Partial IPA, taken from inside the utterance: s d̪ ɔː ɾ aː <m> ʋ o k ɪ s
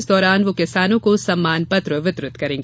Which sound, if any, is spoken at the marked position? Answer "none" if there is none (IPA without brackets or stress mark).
n